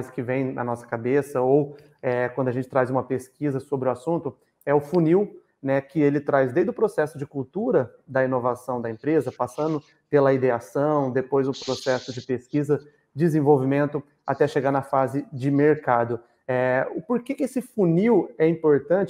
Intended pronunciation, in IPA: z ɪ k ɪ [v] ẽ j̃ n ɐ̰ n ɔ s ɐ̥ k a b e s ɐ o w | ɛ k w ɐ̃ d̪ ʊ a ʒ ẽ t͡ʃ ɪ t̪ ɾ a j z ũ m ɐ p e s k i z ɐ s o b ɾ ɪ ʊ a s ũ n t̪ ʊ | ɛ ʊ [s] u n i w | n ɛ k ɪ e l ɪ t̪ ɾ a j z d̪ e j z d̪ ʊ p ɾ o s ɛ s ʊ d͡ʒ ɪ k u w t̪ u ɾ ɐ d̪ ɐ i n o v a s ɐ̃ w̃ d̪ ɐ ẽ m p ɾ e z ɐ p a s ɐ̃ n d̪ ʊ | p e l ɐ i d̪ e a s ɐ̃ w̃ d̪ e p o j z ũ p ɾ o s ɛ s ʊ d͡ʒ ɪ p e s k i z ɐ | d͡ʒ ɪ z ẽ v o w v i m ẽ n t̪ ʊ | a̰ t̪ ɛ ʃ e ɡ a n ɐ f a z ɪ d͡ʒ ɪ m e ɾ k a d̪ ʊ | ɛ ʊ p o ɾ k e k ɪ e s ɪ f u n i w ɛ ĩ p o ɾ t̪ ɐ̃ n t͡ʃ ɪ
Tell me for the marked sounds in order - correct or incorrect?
correct, incorrect

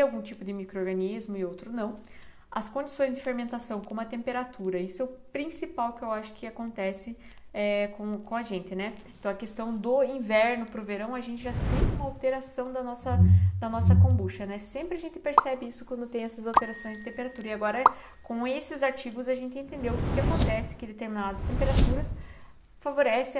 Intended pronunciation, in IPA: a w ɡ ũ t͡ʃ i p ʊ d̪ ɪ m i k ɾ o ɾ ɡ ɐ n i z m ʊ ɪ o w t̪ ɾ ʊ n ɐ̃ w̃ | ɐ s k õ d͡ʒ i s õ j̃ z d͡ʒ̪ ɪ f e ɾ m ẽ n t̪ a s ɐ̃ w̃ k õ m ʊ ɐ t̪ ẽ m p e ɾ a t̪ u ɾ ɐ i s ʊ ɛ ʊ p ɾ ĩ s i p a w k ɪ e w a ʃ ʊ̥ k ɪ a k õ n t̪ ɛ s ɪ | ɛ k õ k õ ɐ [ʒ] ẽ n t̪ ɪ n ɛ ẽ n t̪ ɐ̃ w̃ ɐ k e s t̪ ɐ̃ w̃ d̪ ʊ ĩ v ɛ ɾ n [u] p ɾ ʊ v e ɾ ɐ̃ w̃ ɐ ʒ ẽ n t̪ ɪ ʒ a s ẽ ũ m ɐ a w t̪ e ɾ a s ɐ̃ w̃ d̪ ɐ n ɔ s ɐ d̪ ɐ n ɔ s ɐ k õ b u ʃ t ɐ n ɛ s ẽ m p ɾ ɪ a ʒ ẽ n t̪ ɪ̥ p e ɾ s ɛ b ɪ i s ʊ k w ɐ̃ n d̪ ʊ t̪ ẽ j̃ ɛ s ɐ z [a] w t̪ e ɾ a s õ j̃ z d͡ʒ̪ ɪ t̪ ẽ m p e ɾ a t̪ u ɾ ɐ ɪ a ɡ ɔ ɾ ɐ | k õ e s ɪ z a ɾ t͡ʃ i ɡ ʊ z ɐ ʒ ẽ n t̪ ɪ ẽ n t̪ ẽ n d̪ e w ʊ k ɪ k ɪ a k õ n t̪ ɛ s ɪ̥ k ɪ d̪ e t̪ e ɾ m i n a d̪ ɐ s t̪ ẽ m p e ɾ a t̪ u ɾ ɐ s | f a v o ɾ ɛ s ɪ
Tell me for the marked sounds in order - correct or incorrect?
correct, incorrect, correct

